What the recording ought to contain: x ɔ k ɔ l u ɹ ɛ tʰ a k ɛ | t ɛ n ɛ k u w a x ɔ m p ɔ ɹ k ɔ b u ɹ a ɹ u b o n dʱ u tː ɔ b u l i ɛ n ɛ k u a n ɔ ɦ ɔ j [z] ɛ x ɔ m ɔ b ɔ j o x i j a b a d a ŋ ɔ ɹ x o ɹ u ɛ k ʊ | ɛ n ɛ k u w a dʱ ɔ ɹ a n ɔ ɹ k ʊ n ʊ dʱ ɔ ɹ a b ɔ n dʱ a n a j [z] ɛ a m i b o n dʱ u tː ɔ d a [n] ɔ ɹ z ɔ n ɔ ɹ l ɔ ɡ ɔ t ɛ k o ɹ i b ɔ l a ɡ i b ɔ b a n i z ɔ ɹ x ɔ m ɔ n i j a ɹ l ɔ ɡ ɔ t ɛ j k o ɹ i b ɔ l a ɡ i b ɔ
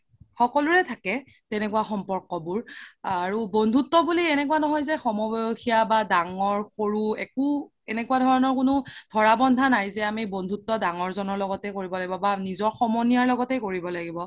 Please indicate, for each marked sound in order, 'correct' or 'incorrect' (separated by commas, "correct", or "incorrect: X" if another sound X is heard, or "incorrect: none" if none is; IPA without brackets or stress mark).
correct, correct, incorrect: ŋ